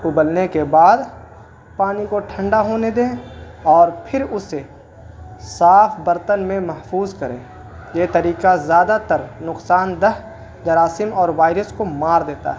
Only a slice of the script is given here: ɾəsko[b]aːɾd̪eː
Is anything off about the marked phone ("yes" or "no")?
yes